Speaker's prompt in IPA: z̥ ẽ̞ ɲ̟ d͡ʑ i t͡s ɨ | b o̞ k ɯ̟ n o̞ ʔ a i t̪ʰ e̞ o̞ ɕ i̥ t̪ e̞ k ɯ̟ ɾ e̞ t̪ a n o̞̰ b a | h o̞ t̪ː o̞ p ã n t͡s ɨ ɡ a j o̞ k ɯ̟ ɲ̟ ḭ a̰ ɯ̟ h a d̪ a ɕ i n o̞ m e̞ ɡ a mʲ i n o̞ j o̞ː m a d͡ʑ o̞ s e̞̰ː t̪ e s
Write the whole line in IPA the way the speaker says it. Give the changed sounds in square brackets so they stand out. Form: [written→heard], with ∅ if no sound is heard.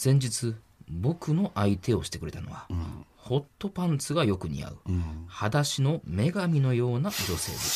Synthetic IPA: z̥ ẽ̞ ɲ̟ d͡ʑ i t͡s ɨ | b o̞ k ɯ̟ n o̞ ʔ a i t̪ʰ e̞ o̞ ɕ i̥ t̪ e̞ k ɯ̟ ɾ e̞ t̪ a n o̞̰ [b→β] a | h o̞ t̪ː o̞ p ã n t͡s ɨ ɡ a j o̞ k ɯ̟ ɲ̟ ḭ a̰ ɯ̟ h a d̪ a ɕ i n o̞ m e̞ ɡ a mʲ i n o̞ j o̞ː [m→n] a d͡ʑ o̞ s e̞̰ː [t̪→d̪] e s